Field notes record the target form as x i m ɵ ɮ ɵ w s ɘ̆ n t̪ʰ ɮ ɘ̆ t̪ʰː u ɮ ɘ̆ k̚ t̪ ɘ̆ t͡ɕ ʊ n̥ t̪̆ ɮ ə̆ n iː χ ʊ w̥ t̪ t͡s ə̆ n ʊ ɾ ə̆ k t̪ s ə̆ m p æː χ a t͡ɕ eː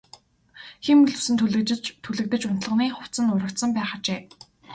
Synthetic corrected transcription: x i m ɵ ɮ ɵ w s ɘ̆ n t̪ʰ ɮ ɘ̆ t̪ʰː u ɮ ɘ̆ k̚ t̪ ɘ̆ t͡ɕ ʊ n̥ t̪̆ ɮ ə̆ n iː χ ʊ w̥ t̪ t͡s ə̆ n ʊ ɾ ə̆ k t̪ s ə̆ m p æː χ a t͡ɕ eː